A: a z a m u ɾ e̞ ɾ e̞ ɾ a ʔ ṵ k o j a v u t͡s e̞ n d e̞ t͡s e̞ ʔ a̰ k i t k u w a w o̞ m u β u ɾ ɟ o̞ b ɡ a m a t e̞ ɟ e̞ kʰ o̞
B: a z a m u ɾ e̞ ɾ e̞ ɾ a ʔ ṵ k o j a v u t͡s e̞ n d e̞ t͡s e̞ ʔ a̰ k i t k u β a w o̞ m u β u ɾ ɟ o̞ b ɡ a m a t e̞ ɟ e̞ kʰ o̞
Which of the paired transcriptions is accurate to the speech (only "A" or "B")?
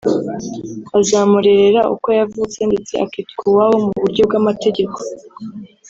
A